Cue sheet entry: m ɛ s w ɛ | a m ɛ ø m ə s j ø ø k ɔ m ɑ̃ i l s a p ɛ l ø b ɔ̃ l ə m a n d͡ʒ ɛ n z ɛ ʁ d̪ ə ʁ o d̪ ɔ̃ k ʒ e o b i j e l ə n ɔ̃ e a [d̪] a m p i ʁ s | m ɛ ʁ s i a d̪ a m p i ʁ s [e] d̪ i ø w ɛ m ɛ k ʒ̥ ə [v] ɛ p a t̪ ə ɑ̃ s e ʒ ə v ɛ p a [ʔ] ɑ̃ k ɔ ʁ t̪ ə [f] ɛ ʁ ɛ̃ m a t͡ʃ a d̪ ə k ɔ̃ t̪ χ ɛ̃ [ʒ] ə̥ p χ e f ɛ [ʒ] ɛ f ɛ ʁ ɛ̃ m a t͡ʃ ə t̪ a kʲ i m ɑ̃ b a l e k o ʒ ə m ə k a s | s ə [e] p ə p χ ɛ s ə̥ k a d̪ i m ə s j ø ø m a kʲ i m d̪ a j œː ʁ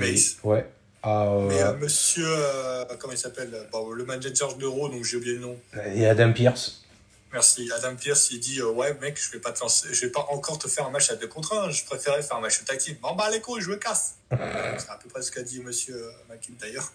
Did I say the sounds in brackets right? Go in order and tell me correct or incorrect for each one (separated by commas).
correct, incorrect, correct, correct, correct, correct, incorrect, incorrect